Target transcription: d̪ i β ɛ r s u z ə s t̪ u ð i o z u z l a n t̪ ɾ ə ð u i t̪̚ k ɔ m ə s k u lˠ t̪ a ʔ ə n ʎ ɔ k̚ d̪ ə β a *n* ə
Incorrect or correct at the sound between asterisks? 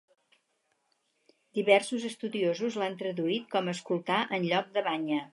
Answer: incorrect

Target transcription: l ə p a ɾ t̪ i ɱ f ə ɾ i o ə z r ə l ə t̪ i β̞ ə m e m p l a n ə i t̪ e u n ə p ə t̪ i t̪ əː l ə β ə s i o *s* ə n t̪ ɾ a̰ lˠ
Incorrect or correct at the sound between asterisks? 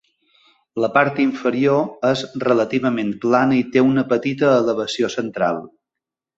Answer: correct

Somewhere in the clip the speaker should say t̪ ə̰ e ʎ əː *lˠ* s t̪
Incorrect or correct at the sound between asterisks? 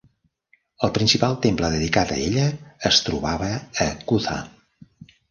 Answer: incorrect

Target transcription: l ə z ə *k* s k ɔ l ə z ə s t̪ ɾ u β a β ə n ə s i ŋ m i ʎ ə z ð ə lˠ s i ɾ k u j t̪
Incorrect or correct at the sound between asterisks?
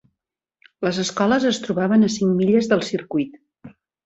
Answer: incorrect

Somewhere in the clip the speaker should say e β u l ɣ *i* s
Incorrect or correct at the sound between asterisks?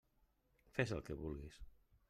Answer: correct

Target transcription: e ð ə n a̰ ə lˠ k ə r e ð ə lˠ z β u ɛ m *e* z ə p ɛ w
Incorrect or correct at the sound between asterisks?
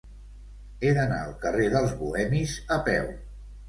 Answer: incorrect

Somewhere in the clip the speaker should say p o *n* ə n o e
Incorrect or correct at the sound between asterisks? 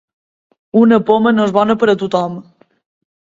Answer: incorrect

